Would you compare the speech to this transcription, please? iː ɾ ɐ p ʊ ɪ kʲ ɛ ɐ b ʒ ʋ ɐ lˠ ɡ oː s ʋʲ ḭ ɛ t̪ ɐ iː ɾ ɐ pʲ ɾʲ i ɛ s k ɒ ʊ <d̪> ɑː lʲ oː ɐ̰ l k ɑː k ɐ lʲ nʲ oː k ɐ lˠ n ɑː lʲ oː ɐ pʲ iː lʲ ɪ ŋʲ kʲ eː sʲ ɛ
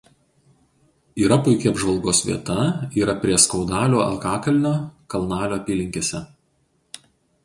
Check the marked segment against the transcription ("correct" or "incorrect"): correct